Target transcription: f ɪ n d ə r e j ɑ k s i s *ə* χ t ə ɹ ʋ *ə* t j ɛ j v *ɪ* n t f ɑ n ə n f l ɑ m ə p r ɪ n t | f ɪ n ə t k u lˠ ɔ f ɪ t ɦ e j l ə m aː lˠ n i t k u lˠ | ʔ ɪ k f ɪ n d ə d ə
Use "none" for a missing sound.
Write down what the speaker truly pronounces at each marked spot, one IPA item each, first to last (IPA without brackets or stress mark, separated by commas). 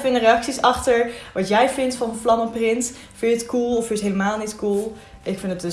ɑ, ɑ, ɪ